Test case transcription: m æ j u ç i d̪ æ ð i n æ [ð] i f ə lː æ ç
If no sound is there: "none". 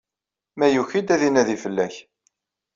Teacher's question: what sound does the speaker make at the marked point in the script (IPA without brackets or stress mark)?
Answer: ð